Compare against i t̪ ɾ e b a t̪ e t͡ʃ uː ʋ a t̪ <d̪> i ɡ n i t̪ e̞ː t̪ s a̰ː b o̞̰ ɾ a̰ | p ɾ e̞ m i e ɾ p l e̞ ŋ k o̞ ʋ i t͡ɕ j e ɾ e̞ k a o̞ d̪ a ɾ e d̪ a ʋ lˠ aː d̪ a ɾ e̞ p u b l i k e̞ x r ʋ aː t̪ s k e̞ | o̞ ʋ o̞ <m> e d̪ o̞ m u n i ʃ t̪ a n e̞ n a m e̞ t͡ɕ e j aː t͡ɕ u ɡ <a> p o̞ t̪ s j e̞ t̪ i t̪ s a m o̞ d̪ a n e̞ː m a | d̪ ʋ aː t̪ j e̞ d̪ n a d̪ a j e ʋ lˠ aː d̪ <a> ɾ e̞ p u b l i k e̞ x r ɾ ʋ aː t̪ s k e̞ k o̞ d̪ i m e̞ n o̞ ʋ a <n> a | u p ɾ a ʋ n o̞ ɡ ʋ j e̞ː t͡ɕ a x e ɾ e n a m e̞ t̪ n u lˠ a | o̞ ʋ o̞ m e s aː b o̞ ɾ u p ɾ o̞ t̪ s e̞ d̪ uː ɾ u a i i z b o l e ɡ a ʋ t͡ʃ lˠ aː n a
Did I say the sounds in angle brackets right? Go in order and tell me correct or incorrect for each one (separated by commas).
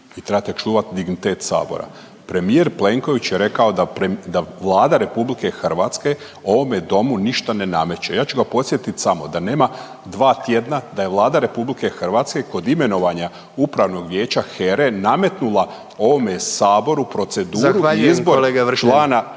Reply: correct, correct, correct, correct, incorrect